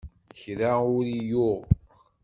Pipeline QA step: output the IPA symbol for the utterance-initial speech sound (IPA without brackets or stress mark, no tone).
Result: ç